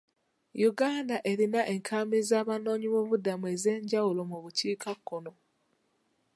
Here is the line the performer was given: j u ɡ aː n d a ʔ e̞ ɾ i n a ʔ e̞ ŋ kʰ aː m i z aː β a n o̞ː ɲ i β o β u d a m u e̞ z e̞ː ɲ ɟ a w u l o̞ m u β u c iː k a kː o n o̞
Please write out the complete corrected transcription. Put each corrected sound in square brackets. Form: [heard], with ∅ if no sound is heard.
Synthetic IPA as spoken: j u ɡ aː n d a ʔ e̞ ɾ i n a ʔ e̞ ŋ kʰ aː m i z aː β a n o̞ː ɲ i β o β u d a m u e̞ z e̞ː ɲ ɟ a w u l o̞ m u β u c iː k a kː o n o̞

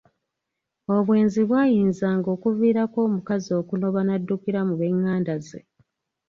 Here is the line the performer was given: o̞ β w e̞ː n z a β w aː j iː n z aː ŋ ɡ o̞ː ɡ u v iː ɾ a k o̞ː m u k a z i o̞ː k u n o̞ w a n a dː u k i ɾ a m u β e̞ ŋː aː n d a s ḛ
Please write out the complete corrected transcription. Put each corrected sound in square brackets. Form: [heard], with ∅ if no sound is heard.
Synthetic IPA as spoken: o̞ β w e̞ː n z [i] β w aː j iː n z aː ŋ ɡ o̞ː [k] u v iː ɾ a k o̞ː m u k a z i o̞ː k u n o̞ [β] a n a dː u k i ɾ a m u β e̞ ŋː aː n d a [z] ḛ

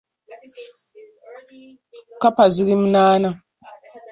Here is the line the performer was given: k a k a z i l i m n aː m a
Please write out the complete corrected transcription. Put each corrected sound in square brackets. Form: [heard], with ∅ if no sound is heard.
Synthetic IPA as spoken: k a [p] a z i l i m n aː [n] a

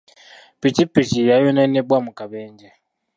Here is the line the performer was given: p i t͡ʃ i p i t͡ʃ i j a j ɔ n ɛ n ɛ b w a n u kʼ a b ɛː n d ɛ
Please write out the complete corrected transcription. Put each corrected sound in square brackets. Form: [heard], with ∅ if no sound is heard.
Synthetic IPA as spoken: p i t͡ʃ i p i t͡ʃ i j a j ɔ n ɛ n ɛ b w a [m] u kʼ a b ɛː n [d͡ʒ] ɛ

